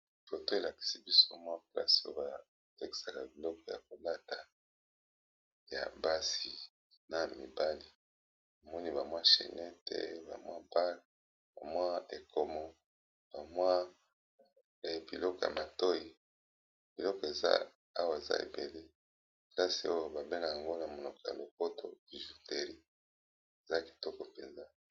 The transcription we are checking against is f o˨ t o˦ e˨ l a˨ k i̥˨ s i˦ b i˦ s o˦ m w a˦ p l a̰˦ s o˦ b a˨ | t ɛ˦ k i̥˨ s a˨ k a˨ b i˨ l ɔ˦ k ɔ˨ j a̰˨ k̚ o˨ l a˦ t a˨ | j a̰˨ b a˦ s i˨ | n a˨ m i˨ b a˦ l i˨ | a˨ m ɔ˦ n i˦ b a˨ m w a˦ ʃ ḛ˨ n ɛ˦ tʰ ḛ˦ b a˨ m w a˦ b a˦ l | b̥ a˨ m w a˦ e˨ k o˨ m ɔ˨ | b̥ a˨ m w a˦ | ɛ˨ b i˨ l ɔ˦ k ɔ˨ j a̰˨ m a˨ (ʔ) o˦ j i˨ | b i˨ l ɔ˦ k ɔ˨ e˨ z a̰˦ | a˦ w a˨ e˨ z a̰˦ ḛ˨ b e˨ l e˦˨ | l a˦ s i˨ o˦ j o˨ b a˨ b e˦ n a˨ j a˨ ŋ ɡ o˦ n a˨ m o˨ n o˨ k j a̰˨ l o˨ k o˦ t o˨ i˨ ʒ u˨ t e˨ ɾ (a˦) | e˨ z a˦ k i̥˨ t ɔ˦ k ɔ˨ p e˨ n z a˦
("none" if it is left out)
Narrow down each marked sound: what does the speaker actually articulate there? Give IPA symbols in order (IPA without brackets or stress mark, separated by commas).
t, i˦